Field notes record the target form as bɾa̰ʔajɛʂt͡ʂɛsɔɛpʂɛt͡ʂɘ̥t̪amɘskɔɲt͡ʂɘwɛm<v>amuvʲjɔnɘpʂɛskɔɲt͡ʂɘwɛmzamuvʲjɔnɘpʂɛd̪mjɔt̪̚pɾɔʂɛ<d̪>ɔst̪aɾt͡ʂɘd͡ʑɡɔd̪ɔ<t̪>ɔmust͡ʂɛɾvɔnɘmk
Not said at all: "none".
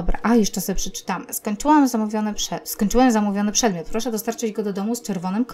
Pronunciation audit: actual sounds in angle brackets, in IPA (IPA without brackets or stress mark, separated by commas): z, d̪, d̪